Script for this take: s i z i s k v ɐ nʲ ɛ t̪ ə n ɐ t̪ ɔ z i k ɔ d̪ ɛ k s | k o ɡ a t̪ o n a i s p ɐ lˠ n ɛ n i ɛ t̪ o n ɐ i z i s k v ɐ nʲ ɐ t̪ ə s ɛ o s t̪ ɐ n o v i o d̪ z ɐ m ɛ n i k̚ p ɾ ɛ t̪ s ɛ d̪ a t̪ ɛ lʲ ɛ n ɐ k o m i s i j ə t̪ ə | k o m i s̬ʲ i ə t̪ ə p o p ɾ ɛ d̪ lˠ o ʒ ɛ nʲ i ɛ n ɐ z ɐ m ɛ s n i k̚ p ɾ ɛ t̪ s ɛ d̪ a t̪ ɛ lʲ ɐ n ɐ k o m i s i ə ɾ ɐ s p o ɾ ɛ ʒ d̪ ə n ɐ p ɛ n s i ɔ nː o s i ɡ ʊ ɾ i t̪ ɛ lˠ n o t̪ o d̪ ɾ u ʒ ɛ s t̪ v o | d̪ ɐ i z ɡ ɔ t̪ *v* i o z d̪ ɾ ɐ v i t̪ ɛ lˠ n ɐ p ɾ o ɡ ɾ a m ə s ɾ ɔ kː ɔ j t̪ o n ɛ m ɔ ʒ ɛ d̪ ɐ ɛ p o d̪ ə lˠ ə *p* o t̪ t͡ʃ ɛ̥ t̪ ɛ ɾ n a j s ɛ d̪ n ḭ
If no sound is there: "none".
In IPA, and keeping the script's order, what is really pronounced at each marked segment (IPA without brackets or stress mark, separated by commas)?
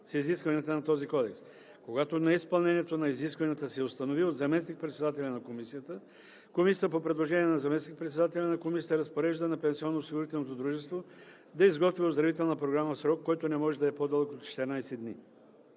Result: v, k